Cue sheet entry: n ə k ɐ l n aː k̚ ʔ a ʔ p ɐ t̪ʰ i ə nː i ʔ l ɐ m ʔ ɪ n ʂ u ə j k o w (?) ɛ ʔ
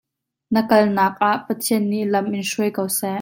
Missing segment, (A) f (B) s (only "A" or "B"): B